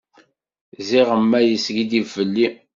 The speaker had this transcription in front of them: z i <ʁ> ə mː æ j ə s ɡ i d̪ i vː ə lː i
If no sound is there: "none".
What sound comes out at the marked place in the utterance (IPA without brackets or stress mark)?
ʁ